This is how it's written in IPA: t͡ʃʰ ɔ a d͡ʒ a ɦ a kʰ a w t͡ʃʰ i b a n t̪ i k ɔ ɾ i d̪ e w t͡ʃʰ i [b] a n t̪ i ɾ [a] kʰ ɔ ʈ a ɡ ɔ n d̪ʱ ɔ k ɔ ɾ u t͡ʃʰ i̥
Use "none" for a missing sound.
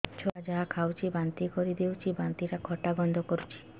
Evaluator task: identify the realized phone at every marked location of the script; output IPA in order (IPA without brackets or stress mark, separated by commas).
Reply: b, a